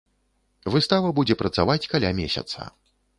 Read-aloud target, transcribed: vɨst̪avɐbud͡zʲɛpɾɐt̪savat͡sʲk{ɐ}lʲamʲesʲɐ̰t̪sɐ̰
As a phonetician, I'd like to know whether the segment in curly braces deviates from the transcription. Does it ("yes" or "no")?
yes